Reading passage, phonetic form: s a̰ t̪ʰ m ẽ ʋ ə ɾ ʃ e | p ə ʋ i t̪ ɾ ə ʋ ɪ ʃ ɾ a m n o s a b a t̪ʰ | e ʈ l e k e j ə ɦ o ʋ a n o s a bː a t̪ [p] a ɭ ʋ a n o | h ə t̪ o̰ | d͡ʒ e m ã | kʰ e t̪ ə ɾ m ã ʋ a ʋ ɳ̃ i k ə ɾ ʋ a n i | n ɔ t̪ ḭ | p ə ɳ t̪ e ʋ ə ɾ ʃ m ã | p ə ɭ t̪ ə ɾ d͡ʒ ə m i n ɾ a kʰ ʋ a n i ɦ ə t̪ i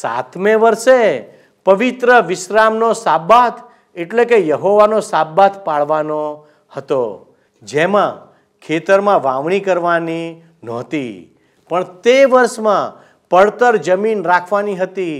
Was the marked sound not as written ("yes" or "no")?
no